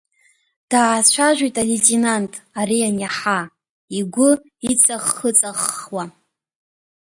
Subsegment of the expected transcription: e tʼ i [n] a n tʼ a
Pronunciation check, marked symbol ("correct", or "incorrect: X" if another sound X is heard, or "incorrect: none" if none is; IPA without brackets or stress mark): correct